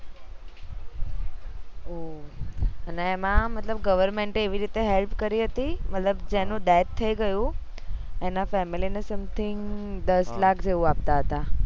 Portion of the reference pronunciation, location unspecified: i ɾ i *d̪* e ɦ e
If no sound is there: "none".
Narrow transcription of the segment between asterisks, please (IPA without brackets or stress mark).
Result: t̪